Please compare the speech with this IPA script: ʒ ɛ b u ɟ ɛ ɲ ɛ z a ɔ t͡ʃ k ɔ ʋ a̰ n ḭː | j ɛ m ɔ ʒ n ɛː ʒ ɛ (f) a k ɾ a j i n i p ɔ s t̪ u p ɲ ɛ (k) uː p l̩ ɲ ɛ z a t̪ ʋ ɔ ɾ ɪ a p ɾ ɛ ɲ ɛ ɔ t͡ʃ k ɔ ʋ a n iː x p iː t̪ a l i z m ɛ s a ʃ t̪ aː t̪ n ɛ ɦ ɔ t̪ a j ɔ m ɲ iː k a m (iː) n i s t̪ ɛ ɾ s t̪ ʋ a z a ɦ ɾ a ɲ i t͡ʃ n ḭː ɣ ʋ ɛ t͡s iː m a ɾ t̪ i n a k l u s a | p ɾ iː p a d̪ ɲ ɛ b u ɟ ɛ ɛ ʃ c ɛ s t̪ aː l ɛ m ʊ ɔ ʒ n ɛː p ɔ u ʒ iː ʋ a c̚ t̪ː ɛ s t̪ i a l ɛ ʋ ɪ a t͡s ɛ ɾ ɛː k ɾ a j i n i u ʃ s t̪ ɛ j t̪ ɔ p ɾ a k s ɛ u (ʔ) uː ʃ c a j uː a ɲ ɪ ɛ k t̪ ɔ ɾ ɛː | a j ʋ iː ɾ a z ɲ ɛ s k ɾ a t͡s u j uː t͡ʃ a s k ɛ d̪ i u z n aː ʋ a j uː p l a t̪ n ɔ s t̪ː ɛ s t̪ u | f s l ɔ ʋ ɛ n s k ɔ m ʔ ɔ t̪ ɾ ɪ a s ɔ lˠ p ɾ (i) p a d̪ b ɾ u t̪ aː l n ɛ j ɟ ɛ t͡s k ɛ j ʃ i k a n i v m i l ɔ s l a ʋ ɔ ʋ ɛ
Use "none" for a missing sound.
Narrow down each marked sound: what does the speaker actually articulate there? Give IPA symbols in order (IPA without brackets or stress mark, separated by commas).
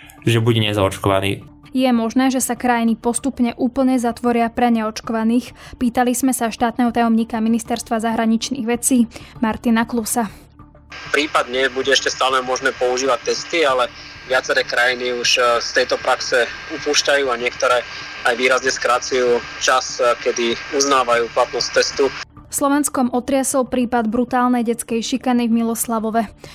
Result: s, ʔ, i, p, iː